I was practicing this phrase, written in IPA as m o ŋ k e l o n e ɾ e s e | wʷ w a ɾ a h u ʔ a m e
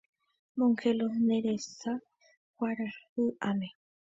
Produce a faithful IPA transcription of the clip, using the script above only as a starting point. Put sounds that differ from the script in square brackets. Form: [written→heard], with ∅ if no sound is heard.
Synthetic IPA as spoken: m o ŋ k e l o n e ɾ e s [e→a] | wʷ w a ɾ a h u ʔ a m e